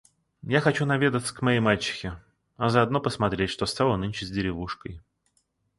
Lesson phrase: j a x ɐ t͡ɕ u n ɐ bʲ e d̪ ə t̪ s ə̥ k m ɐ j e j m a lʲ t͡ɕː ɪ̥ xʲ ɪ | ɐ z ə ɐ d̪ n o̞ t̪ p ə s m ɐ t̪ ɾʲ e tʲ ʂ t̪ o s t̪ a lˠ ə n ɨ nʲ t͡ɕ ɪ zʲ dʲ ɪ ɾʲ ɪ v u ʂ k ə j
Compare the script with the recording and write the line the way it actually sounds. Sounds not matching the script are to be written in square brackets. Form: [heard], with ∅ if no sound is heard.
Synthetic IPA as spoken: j a x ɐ t͡ɕ u n ɐ [vʲ] e d̪ ə t̪ s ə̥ k m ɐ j e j m a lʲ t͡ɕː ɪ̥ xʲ ɪ | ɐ z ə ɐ d̪ n o̞ [∅] p ə s m ɐ t̪ ɾʲ e tʲ ʂ t̪ o s t̪ a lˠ ə n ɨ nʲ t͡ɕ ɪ zʲ dʲ ɪ ɾʲ ɪ v u ʂ k ə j